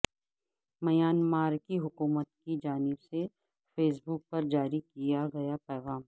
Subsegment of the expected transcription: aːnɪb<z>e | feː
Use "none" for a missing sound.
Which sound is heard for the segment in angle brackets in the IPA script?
s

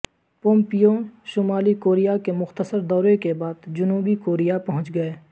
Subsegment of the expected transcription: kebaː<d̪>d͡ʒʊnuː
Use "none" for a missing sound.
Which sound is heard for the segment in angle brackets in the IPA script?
d̪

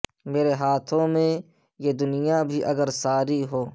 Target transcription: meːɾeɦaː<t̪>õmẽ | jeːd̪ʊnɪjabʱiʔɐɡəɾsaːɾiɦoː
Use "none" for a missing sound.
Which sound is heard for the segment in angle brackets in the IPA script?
t̪ʰ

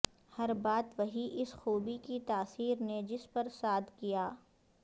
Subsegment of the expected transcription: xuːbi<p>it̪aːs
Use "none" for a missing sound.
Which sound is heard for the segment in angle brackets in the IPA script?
k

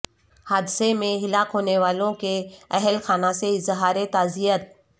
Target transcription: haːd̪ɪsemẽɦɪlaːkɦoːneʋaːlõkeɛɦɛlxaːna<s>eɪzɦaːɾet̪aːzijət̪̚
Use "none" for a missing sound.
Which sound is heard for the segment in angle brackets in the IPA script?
s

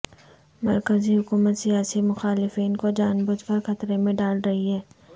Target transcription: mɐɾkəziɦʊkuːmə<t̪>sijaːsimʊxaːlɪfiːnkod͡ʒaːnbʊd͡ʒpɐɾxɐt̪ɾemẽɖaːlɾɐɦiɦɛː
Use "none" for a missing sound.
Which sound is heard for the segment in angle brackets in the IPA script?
t̪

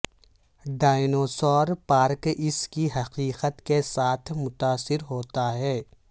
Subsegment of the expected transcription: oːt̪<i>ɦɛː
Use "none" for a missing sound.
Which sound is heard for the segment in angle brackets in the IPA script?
a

